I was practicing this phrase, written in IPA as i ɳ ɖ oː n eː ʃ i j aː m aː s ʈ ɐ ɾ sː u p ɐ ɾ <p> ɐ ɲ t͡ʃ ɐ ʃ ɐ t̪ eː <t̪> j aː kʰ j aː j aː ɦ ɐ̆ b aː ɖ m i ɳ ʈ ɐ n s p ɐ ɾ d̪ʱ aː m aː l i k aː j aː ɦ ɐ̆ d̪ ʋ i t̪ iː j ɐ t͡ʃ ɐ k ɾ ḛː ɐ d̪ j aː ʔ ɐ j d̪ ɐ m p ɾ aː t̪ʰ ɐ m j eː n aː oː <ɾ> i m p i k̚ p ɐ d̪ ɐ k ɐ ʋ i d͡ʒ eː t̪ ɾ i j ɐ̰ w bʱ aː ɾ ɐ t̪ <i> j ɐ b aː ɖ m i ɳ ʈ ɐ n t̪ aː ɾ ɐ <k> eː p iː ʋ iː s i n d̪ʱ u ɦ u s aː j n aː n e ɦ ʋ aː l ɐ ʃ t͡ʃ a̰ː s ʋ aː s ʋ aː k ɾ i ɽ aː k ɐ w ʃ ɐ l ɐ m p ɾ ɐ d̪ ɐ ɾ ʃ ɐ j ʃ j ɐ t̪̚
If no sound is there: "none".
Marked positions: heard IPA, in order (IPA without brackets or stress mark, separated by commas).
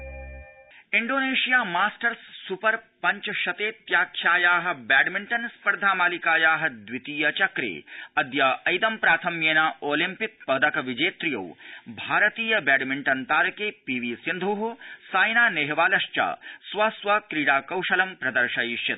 p, t̪, l, iː, k